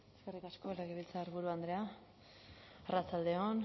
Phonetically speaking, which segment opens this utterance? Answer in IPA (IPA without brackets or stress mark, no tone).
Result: e